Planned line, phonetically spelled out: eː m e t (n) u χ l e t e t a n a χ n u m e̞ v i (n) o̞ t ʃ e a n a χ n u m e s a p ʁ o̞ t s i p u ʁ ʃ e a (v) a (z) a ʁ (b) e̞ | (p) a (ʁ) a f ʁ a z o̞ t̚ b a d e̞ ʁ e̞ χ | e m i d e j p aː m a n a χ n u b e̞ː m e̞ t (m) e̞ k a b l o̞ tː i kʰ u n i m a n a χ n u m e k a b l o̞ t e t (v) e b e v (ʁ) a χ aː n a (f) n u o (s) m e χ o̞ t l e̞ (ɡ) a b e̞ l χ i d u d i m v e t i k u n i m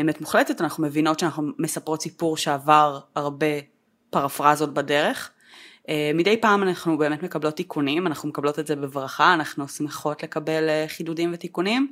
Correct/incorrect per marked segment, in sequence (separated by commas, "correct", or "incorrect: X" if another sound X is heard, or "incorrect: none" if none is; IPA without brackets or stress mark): incorrect: m, correct, correct, incorrect: ʁ, correct, correct, correct, correct, incorrect: z, correct, incorrect: χ, correct, incorrect: k